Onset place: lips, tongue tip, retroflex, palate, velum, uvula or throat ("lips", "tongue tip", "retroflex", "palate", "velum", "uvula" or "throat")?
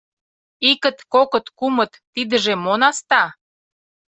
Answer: velum